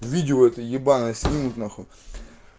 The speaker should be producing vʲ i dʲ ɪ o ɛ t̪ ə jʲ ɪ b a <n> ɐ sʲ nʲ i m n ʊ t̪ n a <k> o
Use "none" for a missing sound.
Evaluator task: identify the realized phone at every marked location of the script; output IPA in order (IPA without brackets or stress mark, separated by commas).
n, x